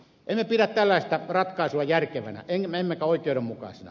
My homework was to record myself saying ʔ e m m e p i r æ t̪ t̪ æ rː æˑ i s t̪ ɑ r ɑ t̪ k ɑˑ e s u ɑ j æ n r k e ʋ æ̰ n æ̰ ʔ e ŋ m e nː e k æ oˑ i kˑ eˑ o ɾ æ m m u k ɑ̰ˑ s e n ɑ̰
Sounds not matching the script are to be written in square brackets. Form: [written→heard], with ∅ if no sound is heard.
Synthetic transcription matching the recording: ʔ e m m e p i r æ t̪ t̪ æ [rː→lː] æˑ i s t̪ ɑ r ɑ t̪ k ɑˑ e s u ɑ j æ [n→∅] r k e ʋ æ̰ n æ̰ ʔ e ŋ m e [nː→mː] e k æ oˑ i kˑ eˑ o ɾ [æ→e] m m u k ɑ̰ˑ s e n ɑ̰